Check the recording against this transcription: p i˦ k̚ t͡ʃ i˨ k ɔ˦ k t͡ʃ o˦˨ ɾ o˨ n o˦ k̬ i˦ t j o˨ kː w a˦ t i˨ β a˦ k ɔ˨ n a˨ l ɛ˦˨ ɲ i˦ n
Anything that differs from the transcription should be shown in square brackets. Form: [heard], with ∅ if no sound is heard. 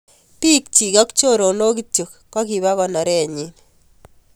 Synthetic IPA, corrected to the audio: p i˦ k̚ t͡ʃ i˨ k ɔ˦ k t͡ʃ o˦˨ ɾ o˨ n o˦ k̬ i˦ t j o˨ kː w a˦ [k] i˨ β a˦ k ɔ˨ n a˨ [ɾ] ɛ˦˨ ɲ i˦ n